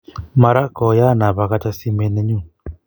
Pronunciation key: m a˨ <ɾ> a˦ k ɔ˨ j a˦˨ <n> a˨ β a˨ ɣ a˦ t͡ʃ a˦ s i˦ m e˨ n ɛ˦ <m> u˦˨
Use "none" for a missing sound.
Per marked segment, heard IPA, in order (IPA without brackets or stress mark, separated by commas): ɾ, n, ɲ